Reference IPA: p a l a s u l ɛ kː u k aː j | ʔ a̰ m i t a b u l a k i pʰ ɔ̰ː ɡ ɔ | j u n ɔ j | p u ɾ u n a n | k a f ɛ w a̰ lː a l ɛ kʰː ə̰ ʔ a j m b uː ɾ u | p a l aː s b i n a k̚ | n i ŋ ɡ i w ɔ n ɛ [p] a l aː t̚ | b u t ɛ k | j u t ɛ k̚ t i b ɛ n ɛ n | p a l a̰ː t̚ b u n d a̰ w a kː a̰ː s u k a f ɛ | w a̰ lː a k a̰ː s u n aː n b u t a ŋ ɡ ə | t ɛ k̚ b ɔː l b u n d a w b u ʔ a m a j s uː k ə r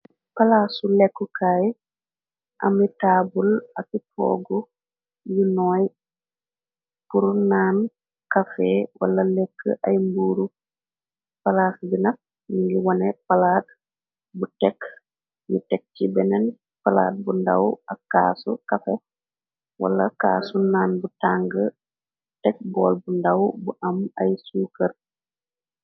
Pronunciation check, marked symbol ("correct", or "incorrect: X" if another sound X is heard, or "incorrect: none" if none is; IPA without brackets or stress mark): correct